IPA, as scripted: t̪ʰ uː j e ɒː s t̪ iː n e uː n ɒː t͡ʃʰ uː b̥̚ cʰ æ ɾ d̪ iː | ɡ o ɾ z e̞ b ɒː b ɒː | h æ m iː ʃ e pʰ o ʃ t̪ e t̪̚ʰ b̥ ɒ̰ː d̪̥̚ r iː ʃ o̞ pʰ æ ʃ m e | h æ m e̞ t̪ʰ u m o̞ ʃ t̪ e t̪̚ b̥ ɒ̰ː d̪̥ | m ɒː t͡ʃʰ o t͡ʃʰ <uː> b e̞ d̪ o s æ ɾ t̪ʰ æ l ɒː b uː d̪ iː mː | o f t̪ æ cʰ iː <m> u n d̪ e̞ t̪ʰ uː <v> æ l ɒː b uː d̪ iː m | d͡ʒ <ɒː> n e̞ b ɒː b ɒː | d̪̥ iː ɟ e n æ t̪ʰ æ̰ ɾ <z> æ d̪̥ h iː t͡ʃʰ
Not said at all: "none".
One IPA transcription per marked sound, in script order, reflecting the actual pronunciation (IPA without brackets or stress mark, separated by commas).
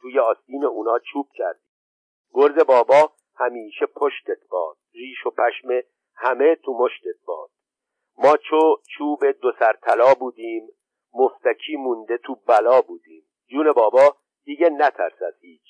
uː, m, b, uː, s